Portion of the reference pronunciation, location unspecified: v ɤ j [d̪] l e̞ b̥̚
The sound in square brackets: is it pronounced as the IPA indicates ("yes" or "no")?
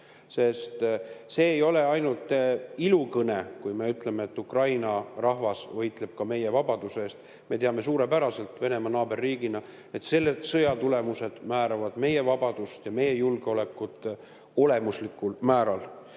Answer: no